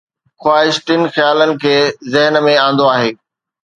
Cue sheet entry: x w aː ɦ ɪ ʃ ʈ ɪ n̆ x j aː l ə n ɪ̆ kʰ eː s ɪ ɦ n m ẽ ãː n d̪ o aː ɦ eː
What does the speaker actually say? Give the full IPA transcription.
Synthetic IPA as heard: x w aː ɦ ɪ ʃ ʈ ɪ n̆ x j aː l ə n ɪ̆ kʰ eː z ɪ ɦ n m ẽ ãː n d̪ o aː ɦ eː